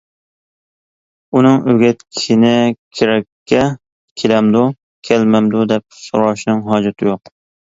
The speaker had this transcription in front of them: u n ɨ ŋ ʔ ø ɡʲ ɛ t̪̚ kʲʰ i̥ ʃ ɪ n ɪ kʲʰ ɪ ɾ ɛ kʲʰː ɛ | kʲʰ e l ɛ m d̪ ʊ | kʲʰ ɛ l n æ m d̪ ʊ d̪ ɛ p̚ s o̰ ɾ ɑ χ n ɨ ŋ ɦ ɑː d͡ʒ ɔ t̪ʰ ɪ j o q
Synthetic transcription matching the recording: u n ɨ ŋ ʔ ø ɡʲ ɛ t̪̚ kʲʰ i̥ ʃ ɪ n ɪ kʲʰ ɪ ɾ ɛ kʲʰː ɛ | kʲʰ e l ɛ m d̪ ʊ | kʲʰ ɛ l m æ m d̪ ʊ d̪ ɛ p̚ s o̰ ɾ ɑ ʃ n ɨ ŋ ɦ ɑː d͡ʒ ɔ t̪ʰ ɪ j o q